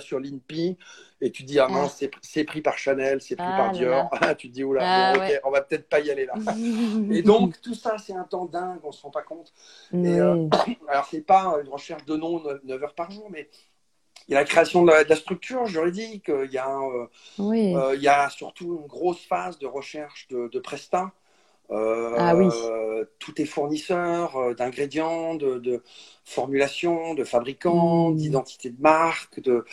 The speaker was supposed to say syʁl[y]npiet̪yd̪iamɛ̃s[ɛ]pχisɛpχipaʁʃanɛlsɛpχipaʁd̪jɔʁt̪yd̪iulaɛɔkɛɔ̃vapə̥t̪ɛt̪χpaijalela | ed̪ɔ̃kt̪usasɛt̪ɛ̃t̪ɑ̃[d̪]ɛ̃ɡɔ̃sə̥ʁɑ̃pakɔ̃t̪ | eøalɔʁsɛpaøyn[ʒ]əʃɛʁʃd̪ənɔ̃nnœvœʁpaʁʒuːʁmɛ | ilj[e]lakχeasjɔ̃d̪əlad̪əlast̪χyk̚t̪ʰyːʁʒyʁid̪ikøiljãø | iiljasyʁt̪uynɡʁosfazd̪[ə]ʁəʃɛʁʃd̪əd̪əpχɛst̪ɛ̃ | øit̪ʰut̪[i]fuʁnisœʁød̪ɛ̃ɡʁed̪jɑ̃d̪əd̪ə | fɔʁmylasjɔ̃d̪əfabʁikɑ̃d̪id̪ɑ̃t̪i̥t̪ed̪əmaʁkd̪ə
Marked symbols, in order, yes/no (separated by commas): no, yes, yes, no, no, yes, no